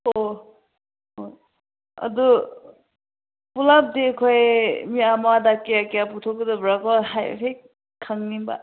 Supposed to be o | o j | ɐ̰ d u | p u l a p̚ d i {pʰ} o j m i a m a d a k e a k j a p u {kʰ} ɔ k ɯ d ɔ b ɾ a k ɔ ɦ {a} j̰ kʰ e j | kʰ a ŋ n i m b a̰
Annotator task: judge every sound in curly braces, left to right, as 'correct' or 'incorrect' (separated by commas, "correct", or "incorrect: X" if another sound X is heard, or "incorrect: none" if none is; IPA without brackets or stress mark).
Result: incorrect: kʰ, incorrect: tʰ, correct